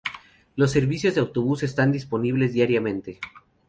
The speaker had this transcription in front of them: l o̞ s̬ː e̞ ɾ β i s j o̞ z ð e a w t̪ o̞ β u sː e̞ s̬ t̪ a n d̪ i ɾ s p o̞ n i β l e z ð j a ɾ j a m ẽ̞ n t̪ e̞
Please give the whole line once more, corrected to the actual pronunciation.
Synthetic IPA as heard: l o̞ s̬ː e̞ ɾ β i s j o̞ z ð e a w t̪ o̞ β u s e̞ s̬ t̪ a n d̪ i s p o̞ n i β l e z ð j a ɾ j a m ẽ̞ n t̪ e̞